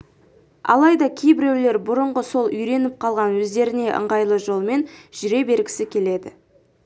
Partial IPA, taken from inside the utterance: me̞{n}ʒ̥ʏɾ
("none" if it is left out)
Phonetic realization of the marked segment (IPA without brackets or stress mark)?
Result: n